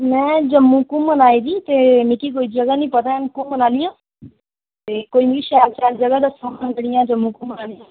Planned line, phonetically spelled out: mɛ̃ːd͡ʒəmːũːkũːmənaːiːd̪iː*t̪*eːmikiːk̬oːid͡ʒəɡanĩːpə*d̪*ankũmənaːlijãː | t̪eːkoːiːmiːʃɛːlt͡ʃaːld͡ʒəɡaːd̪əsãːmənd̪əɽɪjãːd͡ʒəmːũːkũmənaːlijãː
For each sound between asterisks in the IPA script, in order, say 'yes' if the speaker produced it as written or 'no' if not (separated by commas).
yes, no